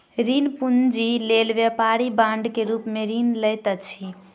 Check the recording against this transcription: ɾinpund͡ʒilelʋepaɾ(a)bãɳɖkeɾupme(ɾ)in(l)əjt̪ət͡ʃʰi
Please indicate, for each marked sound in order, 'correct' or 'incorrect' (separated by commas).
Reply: incorrect, correct, correct